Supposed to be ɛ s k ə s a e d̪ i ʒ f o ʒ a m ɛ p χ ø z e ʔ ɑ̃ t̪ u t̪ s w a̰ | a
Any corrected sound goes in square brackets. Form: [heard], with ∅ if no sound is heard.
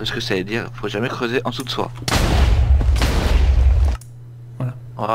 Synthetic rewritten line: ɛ s k ə s a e d̪ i [ʁ] f o ʒ a m ɛ [k] χ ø z e ʔ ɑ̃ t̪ u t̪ s w a̰ | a

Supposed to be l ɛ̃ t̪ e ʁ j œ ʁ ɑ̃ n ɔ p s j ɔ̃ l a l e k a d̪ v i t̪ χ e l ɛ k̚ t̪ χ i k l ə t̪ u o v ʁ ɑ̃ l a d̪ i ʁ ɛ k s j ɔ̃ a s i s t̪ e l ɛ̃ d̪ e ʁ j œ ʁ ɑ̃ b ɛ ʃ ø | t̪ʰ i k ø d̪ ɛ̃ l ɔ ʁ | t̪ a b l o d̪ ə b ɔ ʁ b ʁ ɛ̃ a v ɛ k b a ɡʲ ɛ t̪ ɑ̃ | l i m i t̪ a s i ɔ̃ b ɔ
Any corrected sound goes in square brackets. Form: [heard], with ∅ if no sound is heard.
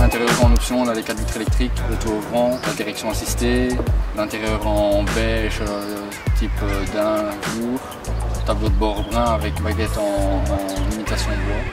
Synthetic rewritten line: l ɛ̃ t̪ e ʁ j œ ʁ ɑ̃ n ɔ p s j ɔ̃ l a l e k a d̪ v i t̪ χ e l ɛ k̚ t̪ χ i k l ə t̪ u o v ʁ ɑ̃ l a d̪ i ʁ ɛ k s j ɔ̃ a s i s t̪ e l ɛ̃ [t̪] e ʁ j œ ʁ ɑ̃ b ɛ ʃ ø | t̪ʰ i [p] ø d̪ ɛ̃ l [u] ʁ | t̪ a b l o d̪ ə b ɔ ʁ b ʁ ɛ̃ a v ɛ k b a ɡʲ ɛ t̪ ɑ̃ | l i m i t̪ a s [j] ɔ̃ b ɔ

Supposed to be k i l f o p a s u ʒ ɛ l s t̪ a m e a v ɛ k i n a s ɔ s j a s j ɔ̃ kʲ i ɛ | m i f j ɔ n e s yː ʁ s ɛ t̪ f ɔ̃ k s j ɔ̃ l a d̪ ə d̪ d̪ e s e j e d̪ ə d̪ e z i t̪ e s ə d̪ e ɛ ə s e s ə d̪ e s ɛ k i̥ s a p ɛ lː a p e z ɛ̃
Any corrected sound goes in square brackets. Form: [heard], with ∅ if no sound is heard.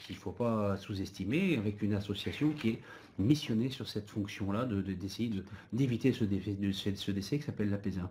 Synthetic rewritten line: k i l f o p a s u [z] ɛ [∅] s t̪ [i] m e a v ɛ k [y] n a s ɔ s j a s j ɔ̃ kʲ i ɛ | m i [s] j ɔ n e s [y] ʁ s ɛ t̪ f ɔ̃ k s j ɔ̃ l a d̪ ə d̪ d̪ e s e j e d̪ ə d̪ e [v] i t̪ e s ə d̪ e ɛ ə s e s ə d̪ e s ɛ k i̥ s a p ɛ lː a p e z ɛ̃

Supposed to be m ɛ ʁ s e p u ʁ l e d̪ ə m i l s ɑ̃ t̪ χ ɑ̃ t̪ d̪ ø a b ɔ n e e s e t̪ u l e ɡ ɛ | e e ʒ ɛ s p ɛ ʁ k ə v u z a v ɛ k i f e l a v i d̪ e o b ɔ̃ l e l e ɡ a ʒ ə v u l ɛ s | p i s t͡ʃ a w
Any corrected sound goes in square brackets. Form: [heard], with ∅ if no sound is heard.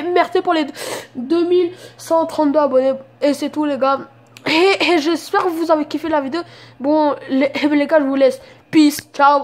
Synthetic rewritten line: m ɛ ʁ s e p u ʁ l e d̪ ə m i l s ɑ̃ t̪ χ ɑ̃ t̪ d̪ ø a b ɔ n e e s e t̪ u l e ɡ [a] | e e ʒ ɛ s p ɛ ʁ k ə v u z a v [e] k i f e l a v i d̪ e o b ɔ̃ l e l e ɡ a ʒ ə v u l ɛ s | p i s t͡ʃ a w

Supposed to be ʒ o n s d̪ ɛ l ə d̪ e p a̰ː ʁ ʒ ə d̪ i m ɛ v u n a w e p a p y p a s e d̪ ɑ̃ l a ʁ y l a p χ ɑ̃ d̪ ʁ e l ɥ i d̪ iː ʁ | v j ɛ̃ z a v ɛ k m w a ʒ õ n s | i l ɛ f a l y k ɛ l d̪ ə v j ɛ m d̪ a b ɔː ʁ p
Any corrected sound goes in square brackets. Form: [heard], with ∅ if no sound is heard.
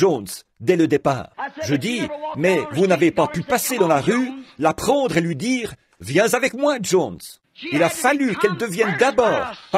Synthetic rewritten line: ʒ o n s d̪ ɛ l ə d̪ e p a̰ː ʁ ʒ ə d̪ i m ɛ v u n a [v] e p a p y p a s e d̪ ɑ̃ l a ʁ y l a p χ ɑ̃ d̪ ʁ e l ɥ i d̪ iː ʁ | v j ɛ̃ z a v ɛ k m w a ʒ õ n s | i l [a] f a l y k ɛ l d̪ ə v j ɛ [n] d̪ a b ɔː ʁ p

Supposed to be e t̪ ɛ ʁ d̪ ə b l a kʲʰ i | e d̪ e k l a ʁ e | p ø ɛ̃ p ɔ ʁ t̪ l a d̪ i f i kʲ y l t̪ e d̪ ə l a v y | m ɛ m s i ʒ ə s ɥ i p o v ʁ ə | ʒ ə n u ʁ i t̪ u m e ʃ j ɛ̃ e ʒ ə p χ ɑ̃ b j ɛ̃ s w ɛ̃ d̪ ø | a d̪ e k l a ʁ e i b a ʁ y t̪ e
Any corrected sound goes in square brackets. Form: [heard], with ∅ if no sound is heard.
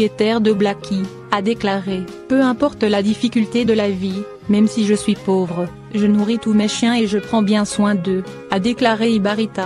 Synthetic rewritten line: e t̪ ɛ ʁ d̪ ə b l a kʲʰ i | [a] d̪ e k l a ʁ e | p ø ɛ̃ p ɔ ʁ t̪ l a d̪ i f i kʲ y l t̪ e d̪ ə l a v [i] | m ɛ m s i ʒ ə s ɥ i p o v ʁ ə | ʒ ə n u ʁ i t̪ u m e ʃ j ɛ̃ e ʒ ə p χ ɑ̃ b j ɛ̃ s w ɛ̃ d̪ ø | a d̪ e k l a ʁ e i b a ʁ [i] t̪ [a]

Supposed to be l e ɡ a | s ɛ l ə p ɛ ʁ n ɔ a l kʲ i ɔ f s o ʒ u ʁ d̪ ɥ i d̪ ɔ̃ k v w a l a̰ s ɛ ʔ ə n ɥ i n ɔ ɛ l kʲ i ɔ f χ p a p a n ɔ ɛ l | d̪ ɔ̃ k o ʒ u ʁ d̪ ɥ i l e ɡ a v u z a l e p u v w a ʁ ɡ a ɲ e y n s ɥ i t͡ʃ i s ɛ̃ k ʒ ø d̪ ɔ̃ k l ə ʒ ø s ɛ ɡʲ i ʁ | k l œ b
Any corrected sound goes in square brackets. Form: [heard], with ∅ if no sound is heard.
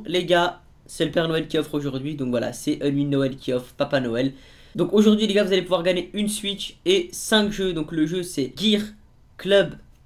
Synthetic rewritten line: l e ɡ a | s ɛ l ə p ɛ ʁ n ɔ [ɛ] l kʲ i ɔ f [χ] o ʒ u ʁ d̪ ɥ i d̪ ɔ̃ k v w a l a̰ s ɛ ʔ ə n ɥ i n ɔ ɛ l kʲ i ɔ f χ p a p a n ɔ ɛ l | d̪ ɔ̃ k o ʒ u ʁ d̪ ɥ i l e ɡ a v u z a l e p u v w a ʁ ɡ a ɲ e y n s ɥ i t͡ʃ [e] s ɛ̃ k ʒ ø d̪ ɔ̃ k l ə ʒ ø s ɛ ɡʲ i ʁ | k l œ b

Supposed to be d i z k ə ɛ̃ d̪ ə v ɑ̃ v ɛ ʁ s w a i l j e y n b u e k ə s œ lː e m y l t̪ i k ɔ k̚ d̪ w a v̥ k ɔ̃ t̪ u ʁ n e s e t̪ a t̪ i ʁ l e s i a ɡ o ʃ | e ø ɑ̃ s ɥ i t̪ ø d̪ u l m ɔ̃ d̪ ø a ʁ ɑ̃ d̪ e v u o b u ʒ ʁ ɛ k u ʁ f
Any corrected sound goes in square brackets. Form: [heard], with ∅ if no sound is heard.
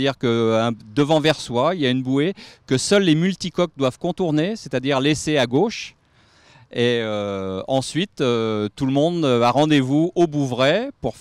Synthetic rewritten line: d i [ʁ] k ə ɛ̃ d̪ ə v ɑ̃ v ɛ ʁ s w a i l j [a] y n b u e k ə s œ lː e m y l t̪ i k ɔ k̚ d̪ w a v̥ k ɔ̃ t̪ u ʁ n e s e t̪ a [d̪] i ʁ l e s [e] a ɡ o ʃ | e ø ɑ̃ s ɥ i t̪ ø [t̪] u l m ɔ̃ d̪ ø a ʁ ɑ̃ d̪ e v u o b u [v] ʁ ɛ [p] u ʁ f

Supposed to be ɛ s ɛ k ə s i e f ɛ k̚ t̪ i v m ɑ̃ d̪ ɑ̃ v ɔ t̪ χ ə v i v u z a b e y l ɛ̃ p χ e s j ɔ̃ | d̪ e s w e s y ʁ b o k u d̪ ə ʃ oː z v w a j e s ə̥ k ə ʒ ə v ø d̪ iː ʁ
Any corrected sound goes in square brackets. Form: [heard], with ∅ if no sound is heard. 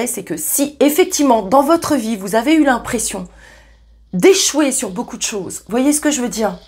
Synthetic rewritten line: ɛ s ɛ k ə s i e f ɛ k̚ t̪ i v m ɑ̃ d̪ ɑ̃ v ɔ t̪ χ ə v i v u z a [v] e y l ɛ̃ p χ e s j ɔ̃ | d̪ e [ʃ] w e s y ʁ b o k u d̪ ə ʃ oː z v w a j e s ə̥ k ə ʒ ə v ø d̪ iː ʁ

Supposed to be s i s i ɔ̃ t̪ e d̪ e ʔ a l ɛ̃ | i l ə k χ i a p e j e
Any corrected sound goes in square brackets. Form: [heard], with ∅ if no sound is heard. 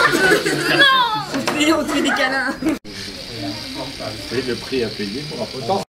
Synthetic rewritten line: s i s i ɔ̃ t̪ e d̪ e [k] a l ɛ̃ | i l ə [p] χ i a p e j e

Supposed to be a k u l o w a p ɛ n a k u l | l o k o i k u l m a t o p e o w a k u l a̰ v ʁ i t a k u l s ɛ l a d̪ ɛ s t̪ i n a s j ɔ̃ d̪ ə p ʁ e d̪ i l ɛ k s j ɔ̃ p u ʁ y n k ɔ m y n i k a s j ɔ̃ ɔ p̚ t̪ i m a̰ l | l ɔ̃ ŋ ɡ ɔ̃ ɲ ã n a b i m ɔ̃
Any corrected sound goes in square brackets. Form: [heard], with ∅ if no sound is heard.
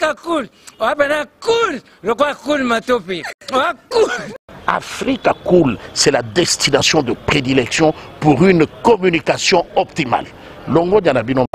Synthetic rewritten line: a k u l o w a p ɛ n a k u l | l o k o [a] k u l m a t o p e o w a k u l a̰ [f] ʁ i [k] a k u l s ɛ l a d̪ ɛ s t̪ i n a s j ɔ̃ d̪ ə p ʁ e d̪ i l ɛ k s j ɔ̃ p u ʁ y n k ɔ m y n i k a s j ɔ̃ ɔ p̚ t̪ i m a̰ l | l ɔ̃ ŋ ɡ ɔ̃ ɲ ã n a b i [n] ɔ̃

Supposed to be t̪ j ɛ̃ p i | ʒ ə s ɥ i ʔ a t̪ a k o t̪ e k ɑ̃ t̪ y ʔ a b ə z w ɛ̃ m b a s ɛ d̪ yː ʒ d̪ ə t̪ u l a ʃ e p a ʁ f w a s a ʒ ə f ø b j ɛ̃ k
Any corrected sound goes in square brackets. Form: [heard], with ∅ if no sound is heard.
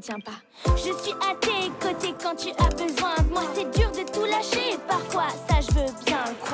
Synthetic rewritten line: t̪ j ɛ̃ p [a] | ʒ ə s ɥ i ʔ a t̪ [e] k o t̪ e k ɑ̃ t̪ y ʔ a b ə z w ɛ̃ m [w] a s ɛ d̪ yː [ʁ] d̪ ə t̪ u l a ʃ e p a ʁ f w a s a ʒ ə [v] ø b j ɛ̃ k

